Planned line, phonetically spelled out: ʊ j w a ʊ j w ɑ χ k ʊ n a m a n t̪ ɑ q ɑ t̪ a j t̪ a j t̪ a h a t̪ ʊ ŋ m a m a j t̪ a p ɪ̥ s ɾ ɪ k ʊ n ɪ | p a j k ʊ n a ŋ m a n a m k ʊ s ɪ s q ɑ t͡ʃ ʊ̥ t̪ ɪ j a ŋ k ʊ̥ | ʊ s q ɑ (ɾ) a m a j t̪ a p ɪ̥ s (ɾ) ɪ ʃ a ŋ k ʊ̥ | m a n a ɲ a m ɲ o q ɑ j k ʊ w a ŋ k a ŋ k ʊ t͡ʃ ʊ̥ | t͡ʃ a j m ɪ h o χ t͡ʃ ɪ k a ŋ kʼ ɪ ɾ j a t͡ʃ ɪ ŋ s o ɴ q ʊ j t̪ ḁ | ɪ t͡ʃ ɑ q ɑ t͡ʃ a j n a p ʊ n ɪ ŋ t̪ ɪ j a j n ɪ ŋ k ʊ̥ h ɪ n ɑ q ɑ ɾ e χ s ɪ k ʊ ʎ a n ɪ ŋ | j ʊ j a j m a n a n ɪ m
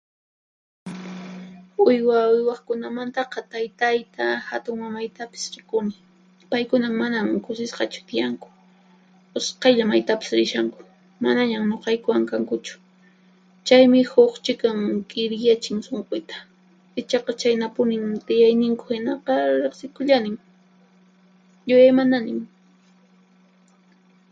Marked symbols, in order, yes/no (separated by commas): no, yes